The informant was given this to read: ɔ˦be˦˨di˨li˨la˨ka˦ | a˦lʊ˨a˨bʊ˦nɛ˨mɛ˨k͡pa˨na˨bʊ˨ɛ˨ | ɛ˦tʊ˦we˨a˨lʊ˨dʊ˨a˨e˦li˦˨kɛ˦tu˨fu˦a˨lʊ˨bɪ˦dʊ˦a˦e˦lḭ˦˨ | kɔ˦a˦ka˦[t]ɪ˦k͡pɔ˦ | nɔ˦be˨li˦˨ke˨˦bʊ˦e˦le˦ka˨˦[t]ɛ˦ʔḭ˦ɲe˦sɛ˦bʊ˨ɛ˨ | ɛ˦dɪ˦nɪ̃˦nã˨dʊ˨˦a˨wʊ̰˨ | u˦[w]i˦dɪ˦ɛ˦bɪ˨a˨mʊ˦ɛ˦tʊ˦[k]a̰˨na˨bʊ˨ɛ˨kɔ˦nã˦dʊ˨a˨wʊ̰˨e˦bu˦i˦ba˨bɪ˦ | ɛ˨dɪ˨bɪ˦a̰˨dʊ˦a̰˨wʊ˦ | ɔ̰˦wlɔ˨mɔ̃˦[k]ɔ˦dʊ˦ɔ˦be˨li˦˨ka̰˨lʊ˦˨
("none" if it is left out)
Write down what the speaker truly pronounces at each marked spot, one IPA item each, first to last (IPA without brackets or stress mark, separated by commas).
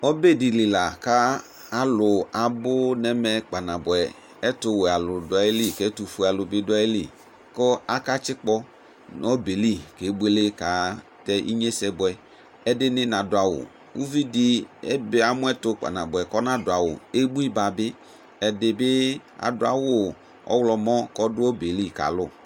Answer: t͡ʃ, t, v, k͡p, k